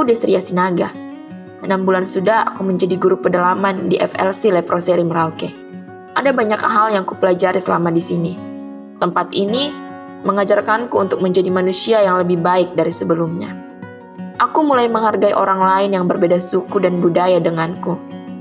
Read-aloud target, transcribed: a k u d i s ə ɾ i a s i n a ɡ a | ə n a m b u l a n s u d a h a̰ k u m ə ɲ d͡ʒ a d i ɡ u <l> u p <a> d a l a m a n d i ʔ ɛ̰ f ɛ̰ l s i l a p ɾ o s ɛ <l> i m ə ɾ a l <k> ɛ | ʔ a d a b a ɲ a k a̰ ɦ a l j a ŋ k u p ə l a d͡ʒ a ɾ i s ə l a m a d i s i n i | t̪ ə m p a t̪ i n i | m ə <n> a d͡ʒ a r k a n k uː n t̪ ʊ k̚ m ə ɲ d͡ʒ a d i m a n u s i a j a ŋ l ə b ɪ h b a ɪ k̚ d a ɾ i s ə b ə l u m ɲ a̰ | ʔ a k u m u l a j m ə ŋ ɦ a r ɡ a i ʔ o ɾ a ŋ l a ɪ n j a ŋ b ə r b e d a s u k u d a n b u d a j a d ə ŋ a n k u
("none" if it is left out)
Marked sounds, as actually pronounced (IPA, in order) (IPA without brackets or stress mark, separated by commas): ɾ, ə, ɾ, k, ŋ